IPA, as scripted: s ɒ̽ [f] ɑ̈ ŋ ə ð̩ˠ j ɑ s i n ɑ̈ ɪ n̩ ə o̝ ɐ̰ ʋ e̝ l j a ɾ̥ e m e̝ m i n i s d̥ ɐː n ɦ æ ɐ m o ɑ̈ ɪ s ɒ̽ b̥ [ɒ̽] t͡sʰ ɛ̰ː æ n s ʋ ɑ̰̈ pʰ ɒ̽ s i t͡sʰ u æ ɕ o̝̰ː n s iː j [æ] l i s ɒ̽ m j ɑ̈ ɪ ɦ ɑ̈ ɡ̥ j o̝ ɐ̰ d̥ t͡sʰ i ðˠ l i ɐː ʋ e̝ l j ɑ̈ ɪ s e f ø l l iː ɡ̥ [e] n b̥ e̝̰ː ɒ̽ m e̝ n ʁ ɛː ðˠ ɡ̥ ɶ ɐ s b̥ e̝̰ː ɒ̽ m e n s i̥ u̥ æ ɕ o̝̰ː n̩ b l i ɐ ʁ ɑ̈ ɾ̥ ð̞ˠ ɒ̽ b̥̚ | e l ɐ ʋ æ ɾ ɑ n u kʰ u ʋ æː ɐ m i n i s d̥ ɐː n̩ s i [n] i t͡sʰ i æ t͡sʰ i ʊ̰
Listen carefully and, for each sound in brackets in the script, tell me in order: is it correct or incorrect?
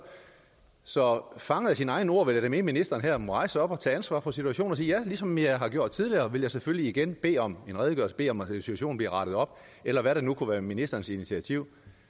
correct, correct, correct, correct, correct

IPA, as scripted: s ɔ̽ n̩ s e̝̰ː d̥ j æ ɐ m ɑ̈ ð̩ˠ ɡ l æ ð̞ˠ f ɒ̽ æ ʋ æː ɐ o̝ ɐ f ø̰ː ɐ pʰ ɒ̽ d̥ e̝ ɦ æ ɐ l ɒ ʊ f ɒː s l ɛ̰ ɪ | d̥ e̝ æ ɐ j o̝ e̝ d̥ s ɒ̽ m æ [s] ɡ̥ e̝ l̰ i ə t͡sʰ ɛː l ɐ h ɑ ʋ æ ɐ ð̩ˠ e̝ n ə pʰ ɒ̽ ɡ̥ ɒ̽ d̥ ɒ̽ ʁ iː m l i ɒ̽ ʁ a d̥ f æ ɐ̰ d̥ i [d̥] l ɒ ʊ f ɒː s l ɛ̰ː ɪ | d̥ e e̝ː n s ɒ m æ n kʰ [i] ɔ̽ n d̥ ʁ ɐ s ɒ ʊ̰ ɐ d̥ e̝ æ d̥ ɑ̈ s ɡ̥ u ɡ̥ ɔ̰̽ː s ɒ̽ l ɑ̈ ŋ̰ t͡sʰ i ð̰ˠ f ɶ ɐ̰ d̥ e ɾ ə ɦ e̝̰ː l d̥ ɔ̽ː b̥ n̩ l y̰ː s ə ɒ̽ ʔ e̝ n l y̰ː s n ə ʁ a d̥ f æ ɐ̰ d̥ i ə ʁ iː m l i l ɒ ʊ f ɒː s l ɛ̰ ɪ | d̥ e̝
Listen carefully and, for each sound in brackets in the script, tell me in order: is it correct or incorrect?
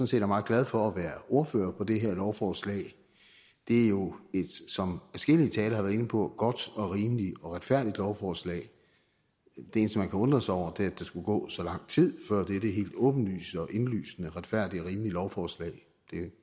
correct, correct, incorrect: æ

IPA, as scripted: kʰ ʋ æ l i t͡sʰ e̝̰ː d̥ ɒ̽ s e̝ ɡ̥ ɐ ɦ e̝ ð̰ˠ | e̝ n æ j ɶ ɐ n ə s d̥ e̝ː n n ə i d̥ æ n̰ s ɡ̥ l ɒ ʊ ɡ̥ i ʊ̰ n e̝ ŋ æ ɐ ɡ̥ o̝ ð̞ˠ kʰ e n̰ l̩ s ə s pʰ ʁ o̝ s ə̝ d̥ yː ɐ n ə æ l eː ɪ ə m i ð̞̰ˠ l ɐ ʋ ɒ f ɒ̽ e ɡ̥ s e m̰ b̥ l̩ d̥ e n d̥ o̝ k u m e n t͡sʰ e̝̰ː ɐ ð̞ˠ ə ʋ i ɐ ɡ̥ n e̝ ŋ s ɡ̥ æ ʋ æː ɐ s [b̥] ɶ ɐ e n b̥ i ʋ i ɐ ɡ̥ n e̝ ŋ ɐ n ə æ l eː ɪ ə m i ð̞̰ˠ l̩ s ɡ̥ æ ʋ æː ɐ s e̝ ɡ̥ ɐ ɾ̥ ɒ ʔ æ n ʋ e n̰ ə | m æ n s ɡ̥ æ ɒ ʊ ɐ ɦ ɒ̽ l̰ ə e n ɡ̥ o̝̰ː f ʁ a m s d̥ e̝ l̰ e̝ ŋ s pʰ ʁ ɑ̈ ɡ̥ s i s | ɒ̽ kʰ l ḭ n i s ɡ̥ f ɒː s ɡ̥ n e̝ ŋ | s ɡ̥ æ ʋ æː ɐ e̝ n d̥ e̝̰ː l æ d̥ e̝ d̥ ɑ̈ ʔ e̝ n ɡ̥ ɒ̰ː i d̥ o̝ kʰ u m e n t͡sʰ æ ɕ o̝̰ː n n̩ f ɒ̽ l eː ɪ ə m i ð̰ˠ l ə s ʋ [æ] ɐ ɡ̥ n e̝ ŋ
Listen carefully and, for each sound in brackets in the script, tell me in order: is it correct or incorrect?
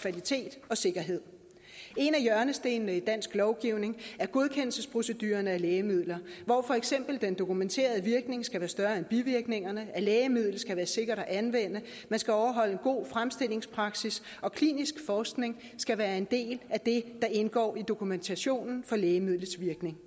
incorrect: d̥, incorrect: i

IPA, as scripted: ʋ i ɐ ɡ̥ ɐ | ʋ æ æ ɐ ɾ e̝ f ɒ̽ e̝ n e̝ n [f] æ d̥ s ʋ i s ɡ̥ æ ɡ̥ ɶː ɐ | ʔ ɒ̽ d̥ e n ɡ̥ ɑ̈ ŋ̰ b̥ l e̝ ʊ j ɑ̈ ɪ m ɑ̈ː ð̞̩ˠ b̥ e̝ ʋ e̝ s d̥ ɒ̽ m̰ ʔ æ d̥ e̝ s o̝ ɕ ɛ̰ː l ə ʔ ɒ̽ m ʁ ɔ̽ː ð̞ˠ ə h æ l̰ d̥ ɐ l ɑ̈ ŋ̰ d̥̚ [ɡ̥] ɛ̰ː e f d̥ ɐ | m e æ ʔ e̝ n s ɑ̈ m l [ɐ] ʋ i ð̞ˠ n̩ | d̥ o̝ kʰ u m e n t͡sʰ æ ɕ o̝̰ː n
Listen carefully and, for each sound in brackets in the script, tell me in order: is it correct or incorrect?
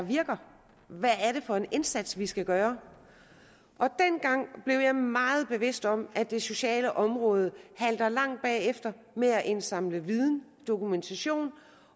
incorrect: s, incorrect: b̥, incorrect: ə

